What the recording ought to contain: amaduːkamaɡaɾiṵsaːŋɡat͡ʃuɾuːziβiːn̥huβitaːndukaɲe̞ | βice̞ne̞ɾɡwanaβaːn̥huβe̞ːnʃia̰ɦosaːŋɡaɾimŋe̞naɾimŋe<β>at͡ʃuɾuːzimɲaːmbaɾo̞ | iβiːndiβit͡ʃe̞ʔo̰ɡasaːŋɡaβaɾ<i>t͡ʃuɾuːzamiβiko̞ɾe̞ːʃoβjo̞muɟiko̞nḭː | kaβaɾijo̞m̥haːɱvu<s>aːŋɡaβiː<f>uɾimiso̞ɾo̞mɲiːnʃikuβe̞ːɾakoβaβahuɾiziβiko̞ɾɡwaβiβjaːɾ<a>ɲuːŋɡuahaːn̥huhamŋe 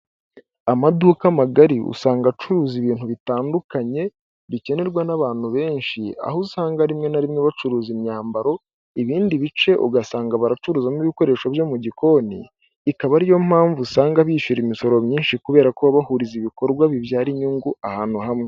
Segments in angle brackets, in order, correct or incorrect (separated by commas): correct, incorrect, correct, incorrect, incorrect